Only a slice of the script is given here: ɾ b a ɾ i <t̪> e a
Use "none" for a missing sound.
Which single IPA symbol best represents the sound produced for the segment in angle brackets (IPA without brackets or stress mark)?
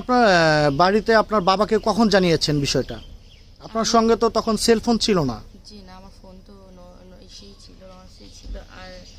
t̪